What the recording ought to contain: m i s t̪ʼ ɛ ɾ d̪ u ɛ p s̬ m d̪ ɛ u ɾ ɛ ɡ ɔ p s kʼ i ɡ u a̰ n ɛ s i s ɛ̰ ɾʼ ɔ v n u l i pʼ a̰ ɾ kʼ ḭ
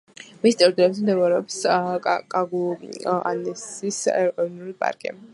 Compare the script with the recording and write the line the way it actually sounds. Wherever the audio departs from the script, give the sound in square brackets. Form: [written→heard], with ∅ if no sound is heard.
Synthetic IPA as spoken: m i s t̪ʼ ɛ ɾ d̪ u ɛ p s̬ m d̪ ɛ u ɾ ɛ [ɡ→∅] ɔ p s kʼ [i→a] ɡ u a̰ n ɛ s i s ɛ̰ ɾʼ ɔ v n u l i pʼ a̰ ɾ kʼ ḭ